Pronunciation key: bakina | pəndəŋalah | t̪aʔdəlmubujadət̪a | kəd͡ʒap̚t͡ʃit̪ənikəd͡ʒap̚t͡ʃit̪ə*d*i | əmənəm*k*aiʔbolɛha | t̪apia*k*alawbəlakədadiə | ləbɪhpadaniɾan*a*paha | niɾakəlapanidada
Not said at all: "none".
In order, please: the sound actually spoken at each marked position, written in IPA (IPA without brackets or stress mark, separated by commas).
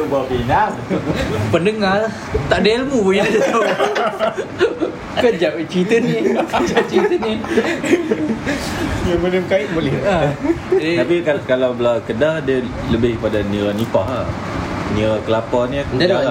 n, k, k, i